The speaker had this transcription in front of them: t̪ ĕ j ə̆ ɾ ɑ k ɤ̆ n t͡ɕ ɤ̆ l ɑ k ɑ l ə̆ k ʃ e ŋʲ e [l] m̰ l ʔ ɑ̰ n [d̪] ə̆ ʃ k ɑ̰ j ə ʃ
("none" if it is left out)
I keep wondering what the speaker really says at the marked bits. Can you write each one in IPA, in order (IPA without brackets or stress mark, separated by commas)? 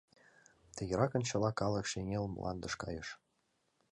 l, d̪